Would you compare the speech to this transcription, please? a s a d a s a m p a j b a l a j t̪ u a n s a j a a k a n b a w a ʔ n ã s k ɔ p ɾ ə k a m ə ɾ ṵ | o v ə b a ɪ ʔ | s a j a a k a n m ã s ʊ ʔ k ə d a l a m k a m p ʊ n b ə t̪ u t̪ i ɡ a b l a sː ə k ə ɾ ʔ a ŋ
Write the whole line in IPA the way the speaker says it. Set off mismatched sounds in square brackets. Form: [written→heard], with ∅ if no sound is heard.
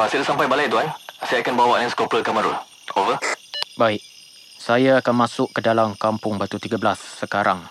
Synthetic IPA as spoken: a s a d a s a m p a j b a l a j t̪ u a n s a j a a k a n b a w a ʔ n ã s k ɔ p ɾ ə k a m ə ɾ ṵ | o v ə b a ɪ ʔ | s a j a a k a n m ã s ʊ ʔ k ə d a l a m k a m p ʊ [n→ŋ] b [ə→a] t̪ u t̪ i ɡ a b l a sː ə k [ə→a] ɾ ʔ a ŋ